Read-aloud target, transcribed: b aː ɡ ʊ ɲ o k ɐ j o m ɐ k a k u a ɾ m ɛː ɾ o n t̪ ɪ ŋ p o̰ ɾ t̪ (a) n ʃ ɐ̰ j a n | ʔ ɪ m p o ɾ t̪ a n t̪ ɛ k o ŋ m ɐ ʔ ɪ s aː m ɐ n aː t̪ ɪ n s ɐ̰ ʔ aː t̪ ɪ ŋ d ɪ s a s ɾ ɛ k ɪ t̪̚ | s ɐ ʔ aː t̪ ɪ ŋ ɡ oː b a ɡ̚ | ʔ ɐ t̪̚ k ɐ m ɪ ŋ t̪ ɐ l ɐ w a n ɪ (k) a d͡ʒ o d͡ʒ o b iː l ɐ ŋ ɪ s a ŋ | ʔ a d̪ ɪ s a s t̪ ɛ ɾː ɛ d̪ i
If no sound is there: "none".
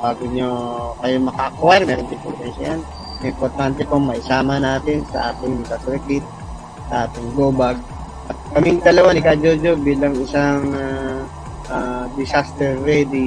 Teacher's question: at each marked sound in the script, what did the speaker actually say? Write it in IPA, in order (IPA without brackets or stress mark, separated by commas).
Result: ɛ, k